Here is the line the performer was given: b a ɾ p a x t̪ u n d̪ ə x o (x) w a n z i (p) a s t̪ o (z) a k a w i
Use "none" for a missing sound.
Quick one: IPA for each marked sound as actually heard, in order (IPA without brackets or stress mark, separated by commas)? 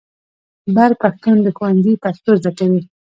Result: none, p, z